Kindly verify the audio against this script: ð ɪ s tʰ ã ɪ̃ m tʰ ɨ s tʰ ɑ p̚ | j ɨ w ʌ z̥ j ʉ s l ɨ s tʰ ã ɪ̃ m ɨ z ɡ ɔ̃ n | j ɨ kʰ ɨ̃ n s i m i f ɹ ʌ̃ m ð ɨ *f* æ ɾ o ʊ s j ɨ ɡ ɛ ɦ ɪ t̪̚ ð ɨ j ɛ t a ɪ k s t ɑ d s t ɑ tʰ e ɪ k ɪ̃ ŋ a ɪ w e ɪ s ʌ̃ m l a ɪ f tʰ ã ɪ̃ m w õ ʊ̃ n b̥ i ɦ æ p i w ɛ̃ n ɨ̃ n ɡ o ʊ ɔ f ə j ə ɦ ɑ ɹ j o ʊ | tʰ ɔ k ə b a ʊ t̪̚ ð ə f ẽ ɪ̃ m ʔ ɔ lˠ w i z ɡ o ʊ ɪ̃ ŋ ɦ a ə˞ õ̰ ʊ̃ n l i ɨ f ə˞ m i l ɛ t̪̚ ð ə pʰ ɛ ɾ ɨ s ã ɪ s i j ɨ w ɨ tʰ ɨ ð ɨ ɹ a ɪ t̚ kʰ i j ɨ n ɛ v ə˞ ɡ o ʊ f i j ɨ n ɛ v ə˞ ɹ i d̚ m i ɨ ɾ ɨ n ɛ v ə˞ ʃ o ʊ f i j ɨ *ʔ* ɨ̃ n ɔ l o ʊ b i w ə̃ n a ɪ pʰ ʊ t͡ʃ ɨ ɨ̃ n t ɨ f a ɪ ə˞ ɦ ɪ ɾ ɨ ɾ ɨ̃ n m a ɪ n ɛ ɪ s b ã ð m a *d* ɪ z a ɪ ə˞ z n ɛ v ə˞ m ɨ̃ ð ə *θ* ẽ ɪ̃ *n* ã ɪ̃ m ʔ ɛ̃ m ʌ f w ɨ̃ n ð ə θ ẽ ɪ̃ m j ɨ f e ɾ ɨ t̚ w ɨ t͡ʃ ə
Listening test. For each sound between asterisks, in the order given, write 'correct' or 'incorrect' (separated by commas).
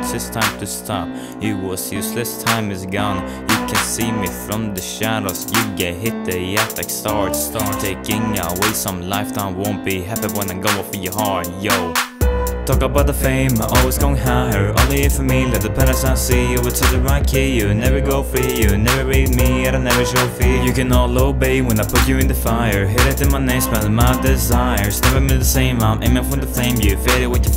incorrect, incorrect, correct, incorrect, incorrect